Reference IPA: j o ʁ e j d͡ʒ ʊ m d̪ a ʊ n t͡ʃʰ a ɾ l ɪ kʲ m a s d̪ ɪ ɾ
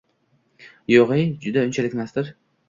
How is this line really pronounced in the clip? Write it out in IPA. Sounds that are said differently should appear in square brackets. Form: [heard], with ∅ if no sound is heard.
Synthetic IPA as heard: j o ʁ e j d͡ʒ ʊ [∅] d̪ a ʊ n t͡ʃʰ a [∅] l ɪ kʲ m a s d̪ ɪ ɾ